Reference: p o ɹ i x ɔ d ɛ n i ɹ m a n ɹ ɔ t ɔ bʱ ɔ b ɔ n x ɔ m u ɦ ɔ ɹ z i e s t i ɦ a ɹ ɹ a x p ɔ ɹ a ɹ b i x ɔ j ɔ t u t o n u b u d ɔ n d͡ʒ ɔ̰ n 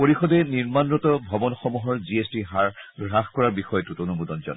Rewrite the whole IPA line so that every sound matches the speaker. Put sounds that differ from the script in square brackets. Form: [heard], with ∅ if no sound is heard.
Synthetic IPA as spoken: p o ɹ i x ɔ d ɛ n i ɹ m a n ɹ ɔ t ɔ bʱ ɔ b ɔ n x ɔ m u ɦ ɔ ɹ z i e s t i ɦ a ɹ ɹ a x [k] ɔ ɹ a ɹ b i x ɔ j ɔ t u t o n u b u d ɔ n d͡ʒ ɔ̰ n

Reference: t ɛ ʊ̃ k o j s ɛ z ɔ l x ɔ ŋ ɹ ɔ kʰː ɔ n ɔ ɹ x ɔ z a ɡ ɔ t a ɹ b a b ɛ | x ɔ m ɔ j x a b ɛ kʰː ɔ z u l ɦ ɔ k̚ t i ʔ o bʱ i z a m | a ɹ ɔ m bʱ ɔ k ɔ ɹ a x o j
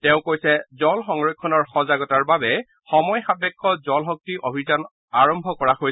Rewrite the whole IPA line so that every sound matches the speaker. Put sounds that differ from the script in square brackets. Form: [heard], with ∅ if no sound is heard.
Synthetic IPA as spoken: t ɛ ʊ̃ k o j s ɛ z ɔ l x ɔ ŋ ɹ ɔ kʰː ɔ n ɔ ɹ x ɔ z a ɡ ɔ t a ɹ b a b ɛ | x ɔ m ɔ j x a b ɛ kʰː ɔ z [ɔ] l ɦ ɔ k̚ t i ʔ o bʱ i z a [n] | a ɹ ɔ m bʱ ɔ k ɔ ɹ a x o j

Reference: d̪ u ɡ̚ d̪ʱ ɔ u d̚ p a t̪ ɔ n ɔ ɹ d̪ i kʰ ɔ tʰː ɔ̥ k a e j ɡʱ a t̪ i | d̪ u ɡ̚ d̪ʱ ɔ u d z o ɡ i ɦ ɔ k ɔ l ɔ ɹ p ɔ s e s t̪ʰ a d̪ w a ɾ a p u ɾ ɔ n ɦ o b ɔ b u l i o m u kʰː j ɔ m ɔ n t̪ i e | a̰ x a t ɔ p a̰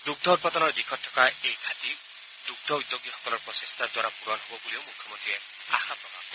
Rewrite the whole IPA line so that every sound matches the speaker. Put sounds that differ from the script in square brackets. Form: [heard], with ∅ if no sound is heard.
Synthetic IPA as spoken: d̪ u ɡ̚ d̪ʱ ɔ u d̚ p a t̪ ɔ n ɔ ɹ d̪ i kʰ ɔ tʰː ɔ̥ k a e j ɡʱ a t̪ i | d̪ u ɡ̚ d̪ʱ ɔ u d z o ɡ i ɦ ɔ k ɔ l ɔ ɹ p ɔ s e s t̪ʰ a d̪ w a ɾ a p u ɾ ɔ n ɦ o b ɔ b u l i o m u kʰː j ɔ m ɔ n t̪ i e | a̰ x a [p] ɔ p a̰

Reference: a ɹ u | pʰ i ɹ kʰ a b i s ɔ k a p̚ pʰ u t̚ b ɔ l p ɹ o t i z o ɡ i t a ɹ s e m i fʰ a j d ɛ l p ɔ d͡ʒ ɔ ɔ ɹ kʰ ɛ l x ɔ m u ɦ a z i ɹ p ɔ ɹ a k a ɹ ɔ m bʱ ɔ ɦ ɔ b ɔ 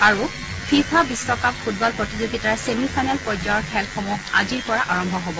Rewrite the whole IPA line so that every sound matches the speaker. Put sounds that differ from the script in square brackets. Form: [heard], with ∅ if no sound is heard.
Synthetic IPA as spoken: a ɹ u | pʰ i ɹ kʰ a b i s ɔ k a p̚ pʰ u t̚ b ɔ l p ɹ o t i z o ɡ i t a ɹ s e m i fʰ a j [n] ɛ l p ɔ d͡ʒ ɔ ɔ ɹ kʰ ɛ l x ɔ m u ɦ a z i ɹ p ɔ ɹ a [ʔ] a ɹ ɔ m bʱ ɔ ɦ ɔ b ɔ

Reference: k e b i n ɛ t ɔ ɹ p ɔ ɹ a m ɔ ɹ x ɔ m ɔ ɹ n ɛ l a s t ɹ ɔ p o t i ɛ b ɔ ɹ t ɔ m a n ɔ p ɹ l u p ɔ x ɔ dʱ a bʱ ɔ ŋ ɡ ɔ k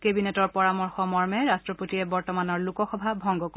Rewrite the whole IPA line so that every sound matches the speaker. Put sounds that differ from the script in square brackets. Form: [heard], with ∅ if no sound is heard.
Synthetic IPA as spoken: k e b i n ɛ t ɔ ɹ p ɔ ɹ a m ɔ ɹ x ɔ m ɔ ɹ [m] ɛ [ɹ] a s t ɹ ɔ p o t i ɛ b ɔ ɹ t ɔ m a n ɔ [∅] ɹ l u [k] ɔ x ɔ [bʱ] a bʱ ɔ ŋ ɡ ɔ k

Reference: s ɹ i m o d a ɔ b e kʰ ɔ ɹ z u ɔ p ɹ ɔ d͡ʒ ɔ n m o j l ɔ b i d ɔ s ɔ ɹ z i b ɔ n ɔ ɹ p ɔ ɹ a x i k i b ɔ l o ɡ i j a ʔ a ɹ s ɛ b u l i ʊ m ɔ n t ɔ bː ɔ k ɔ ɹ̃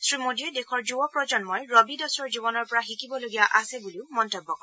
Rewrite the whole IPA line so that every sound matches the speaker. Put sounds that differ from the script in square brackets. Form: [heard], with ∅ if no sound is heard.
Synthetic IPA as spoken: s ɹ i m o d [i] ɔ [d] e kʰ ɔ ɹ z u ɔ p ɹ ɔ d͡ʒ ɔ n m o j [ɹ] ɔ b i d ɔ s ɔ ɹ z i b ɔ n ɔ ɹ p ɔ ɹ a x i k i b ɔ l o ɡ i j a ʔ a [∅] s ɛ b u l i ʊ m ɔ n t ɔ bː ɔ k ɔ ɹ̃

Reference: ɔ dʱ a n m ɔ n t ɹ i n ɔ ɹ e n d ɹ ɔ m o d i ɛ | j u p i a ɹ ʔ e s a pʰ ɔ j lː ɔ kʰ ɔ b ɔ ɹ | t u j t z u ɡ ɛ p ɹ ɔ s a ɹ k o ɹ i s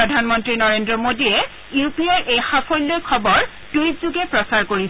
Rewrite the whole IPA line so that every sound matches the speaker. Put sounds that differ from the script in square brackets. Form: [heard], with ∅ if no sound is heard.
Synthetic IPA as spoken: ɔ dʱ a n m ɔ n t ɹ i n ɔ ɹ e n d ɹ ɔ m o d i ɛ | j u p i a ɹ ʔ e [x] a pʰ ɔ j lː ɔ kʰ ɔ b ɔ ɹ | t u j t z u ɡ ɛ p ɹ ɔ s a ɹ k o ɹ i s

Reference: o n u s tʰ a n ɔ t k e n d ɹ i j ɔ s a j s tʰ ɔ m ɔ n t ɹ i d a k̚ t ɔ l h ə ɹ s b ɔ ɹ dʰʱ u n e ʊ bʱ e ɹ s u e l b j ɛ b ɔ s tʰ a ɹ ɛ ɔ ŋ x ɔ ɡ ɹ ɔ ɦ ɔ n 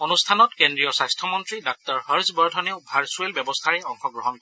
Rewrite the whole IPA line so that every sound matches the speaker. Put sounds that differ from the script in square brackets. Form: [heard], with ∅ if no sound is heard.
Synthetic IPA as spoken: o n u s tʰ a n ɔ t k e n d ɹ i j ɔ s a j s tʰ ɔ m ɔ n t ɹ i d a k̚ t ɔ [ɹ] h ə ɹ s b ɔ ɹ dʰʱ [ɔ] n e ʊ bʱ [a] ɹ s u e l b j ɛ b ɔ s tʰ a ɹ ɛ ɔ ŋ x ɔ ɡ ɹ ɔ ɦ ɔ n

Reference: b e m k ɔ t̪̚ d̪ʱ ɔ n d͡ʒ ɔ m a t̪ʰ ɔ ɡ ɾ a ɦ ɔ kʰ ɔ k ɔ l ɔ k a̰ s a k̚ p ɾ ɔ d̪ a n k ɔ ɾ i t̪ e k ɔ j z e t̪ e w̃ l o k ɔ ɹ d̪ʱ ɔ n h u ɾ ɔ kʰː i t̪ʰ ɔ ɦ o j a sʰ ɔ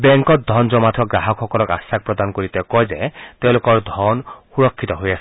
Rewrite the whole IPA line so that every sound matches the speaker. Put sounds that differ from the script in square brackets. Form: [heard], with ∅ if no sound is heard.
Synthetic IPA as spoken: b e [ŋ] k ɔ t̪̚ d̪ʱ ɔ n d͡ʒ ɔ m a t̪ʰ ɔ ɡ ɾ a ɦ ɔ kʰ ɔ k ɔ l ɔ k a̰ s a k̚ p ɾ ɔ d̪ a n k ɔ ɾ i t̪ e k ɔ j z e t̪ e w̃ l o k ɔ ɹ d̪ʱ ɔ n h u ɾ ɔ kʰː i [t̪] ɔ ɦ o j a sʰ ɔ

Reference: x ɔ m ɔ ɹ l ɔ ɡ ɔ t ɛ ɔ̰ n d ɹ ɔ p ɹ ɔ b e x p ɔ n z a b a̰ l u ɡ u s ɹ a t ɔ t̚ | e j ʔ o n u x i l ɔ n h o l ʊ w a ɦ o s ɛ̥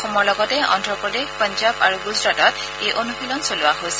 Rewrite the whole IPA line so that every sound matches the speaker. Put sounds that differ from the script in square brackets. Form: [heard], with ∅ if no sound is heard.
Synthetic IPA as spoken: x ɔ m ɔ ɹ l ɔ ɡ ɔ t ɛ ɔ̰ n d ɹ ɔ p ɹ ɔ [d] e x p ɔ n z a b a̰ [ɹ] u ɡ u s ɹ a t ɔ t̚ | e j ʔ o n u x i l ɔ n [s] o l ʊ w a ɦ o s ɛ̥

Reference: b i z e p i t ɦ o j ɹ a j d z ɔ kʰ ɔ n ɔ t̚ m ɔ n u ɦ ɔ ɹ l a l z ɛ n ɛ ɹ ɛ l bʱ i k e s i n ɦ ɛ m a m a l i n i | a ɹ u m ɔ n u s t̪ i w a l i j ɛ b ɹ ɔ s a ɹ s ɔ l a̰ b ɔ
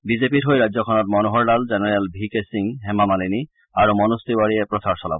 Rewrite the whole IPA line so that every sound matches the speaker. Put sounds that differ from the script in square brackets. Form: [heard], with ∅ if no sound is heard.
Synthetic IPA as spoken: b i z e p i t ɦ o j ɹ a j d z ɔ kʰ ɔ n ɔ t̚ m ɔ n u ɦ ɔ ɹ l a l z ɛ n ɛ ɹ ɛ l bʱ i k e s i [ŋ] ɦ ɛ m a m a l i n i | a ɹ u m ɔ n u s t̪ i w a [ɹ] i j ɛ [p] ɹ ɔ s a ɹ s ɔ l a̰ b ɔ

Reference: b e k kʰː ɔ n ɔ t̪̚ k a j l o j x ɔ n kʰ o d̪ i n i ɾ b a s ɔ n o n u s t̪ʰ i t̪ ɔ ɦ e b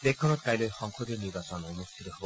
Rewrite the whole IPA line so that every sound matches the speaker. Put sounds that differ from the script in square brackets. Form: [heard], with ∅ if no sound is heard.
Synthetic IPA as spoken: b e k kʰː ɔ n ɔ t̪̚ k a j l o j x ɔ [ŋ] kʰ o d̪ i n i ɾ b a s ɔ n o n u s t̪ʰ i t̪ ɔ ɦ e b

